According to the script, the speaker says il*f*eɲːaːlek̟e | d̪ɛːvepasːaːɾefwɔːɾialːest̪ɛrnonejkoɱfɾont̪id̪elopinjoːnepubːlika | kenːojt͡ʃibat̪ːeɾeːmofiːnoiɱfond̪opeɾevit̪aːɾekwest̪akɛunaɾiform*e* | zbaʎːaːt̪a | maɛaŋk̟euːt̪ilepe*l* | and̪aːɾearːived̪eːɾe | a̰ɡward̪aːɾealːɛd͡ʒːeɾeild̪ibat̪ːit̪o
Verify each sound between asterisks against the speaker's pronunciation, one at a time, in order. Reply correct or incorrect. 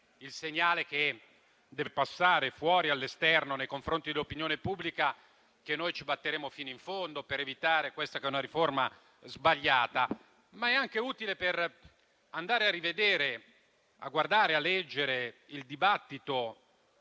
incorrect, incorrect, incorrect

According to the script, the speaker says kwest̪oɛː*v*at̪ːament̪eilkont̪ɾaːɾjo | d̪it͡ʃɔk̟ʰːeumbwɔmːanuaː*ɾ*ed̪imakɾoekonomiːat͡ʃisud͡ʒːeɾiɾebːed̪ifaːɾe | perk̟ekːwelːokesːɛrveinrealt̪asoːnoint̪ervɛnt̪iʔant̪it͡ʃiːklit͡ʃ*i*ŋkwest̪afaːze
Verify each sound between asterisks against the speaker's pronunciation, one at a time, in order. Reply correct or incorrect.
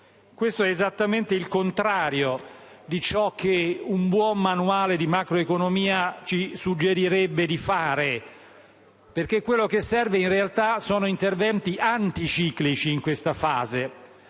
incorrect, incorrect, incorrect

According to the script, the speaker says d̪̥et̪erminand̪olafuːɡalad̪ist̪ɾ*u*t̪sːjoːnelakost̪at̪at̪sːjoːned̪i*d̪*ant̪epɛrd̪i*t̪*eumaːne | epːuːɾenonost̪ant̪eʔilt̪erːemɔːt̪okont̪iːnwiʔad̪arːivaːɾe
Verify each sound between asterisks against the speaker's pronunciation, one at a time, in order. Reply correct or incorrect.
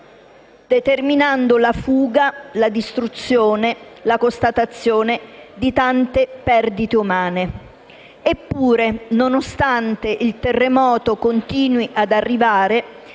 correct, incorrect, correct

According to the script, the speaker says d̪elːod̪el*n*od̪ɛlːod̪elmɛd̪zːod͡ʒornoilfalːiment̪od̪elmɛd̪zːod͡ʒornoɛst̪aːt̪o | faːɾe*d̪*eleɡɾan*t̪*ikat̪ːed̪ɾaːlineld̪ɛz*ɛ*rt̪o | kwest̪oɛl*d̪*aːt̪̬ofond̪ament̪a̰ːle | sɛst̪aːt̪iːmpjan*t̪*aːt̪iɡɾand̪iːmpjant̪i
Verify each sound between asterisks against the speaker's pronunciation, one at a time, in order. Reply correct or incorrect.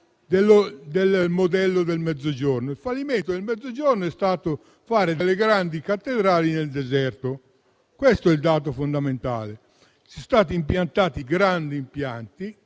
incorrect, correct, incorrect, correct, correct, correct

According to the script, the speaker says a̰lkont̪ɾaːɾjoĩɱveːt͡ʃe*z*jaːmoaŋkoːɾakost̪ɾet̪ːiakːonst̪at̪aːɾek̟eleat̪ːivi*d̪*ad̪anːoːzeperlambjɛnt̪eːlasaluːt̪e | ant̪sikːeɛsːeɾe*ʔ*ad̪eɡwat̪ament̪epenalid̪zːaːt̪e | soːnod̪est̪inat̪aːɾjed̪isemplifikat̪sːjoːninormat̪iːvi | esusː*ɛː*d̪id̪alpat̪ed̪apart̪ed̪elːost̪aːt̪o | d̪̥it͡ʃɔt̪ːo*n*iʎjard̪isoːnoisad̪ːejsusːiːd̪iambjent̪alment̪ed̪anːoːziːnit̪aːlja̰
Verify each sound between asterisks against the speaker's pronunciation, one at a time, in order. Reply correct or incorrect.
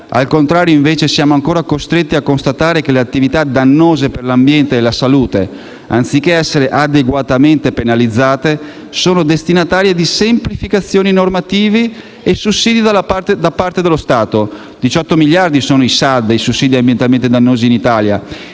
incorrect, incorrect, correct, incorrect, incorrect

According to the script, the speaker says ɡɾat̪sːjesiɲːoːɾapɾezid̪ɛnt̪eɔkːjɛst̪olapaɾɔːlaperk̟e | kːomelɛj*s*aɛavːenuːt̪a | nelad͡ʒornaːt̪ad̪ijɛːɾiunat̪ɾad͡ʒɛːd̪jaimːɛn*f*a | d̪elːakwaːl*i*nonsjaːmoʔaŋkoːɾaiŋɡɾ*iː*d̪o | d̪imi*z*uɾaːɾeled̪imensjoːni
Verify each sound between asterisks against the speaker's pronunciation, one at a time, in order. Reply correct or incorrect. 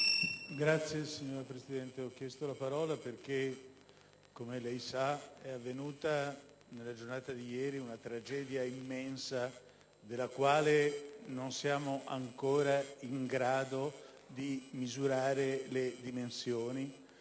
correct, incorrect, incorrect, incorrect, correct

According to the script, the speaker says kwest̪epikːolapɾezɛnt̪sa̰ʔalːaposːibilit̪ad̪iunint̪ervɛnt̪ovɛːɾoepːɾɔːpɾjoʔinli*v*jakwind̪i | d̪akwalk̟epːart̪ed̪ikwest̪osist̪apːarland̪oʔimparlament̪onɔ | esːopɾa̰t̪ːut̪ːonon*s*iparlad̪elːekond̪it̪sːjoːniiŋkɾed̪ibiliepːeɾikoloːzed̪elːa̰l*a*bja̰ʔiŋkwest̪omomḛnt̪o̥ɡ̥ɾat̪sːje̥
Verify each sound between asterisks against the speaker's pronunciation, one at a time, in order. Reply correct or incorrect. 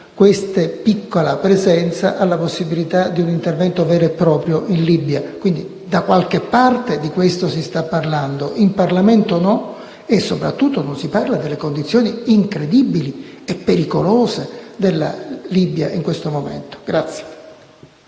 incorrect, correct, incorrect

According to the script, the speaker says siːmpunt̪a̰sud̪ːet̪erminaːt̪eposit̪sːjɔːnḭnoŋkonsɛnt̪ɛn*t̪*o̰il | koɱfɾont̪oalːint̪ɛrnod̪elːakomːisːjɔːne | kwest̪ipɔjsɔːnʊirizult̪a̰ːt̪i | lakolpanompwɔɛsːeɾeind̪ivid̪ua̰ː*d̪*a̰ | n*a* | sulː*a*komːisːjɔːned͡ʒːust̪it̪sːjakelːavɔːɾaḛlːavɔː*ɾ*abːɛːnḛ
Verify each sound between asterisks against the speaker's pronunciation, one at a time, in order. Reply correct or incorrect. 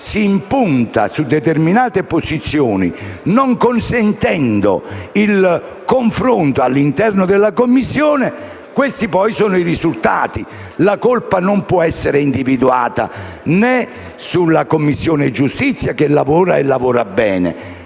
incorrect, incorrect, incorrect, correct, correct

